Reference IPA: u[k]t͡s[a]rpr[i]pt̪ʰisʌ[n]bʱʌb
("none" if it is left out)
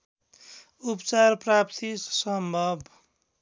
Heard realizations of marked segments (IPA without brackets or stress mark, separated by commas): p, a, a, m